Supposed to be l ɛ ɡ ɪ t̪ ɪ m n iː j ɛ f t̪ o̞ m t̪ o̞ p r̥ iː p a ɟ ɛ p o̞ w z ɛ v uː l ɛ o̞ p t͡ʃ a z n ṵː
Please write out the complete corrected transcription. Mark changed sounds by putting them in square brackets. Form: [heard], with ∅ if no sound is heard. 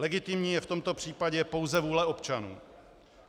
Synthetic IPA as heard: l ɛ ɡ ɪ t̪ ɪ m [ɲ] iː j ɛ f t̪ o̞ m t̪ o̞ p r̥ iː p a ɟ ɛ p o̞ w z ɛ v uː l ɛ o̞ p t͡ʃ a [∅] n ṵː